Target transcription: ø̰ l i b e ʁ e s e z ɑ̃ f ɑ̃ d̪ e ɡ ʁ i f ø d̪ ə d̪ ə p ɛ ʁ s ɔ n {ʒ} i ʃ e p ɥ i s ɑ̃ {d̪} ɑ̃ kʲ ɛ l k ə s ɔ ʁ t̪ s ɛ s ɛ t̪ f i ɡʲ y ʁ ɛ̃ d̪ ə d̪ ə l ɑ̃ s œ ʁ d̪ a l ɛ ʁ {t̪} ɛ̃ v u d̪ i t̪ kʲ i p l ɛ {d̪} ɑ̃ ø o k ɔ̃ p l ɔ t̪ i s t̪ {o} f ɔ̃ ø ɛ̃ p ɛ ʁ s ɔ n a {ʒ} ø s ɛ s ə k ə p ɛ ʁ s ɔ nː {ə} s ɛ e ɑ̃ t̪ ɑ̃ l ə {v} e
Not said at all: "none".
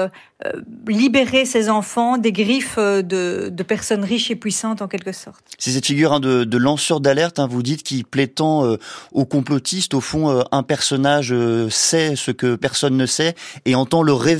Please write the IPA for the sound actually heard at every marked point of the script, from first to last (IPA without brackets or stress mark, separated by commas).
ʁ, t̪, t̪, t̪, o, ʒ, ə, ʁ